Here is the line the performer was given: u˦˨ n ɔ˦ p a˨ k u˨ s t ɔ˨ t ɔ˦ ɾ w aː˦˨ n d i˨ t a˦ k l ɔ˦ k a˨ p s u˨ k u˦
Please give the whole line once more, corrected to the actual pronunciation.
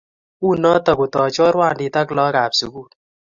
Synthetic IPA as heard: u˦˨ n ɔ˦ t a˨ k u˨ t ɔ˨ t͡ʃ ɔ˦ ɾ w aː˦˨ n d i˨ t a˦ k l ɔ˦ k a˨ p s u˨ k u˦